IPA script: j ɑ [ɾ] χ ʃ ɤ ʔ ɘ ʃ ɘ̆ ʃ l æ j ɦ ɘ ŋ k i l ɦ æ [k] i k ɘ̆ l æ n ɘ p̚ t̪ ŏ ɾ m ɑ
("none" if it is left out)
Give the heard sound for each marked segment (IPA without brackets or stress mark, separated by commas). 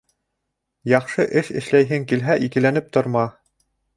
none, ʔ